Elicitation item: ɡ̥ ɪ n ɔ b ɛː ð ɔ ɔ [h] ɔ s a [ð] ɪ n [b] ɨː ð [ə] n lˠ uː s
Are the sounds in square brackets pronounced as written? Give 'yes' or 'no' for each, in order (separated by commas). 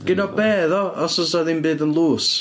no, yes, yes, yes